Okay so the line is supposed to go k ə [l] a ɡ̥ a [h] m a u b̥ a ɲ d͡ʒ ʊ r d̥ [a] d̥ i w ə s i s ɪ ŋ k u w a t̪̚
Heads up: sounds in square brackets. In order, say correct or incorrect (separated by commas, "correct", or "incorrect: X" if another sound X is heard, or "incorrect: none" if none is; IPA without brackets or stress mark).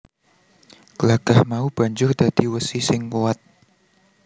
correct, correct, correct